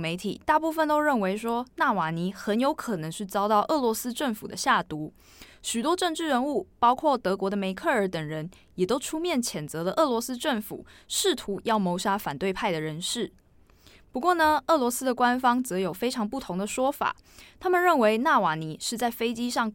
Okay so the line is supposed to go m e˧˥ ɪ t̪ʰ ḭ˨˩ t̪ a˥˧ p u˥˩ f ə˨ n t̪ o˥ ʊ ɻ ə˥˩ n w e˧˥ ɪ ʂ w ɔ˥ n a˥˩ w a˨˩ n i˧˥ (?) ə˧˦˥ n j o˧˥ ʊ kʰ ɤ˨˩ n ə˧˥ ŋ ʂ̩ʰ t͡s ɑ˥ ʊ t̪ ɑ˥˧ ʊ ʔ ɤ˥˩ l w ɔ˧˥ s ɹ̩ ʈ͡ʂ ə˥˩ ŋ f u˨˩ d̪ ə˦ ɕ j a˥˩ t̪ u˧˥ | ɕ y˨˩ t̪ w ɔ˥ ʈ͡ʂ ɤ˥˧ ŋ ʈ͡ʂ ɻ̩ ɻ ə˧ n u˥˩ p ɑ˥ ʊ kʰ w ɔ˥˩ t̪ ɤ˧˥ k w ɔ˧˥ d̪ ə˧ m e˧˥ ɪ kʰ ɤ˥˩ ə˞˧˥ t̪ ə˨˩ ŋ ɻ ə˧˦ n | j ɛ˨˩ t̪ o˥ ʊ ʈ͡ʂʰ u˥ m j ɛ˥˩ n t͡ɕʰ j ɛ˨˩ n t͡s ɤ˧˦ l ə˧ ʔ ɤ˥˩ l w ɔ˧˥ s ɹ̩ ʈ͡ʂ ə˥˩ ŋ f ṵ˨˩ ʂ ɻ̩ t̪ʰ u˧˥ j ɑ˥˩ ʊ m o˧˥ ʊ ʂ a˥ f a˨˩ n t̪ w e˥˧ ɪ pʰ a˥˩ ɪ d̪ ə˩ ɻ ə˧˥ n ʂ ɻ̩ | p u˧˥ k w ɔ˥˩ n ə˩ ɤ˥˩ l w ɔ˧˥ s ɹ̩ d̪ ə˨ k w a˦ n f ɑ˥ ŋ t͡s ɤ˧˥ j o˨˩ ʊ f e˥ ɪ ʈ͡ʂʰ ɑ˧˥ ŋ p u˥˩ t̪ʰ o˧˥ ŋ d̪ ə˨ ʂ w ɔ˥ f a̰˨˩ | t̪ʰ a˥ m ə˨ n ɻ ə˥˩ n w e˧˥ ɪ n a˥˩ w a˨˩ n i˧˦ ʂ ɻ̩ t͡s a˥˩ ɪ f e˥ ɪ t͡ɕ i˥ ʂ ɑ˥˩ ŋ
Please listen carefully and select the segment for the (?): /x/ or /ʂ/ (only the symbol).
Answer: x